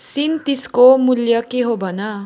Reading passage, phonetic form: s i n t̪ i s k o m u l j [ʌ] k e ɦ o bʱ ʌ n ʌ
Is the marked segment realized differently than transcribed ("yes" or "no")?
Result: no